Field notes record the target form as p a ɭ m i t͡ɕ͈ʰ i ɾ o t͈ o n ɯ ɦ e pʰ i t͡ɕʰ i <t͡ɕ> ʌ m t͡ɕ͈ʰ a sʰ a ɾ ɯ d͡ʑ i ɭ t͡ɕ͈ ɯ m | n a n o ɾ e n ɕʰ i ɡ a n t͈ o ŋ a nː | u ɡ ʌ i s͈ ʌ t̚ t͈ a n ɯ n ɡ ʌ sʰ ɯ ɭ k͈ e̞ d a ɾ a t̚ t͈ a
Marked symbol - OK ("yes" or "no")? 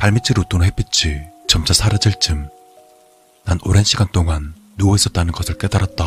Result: yes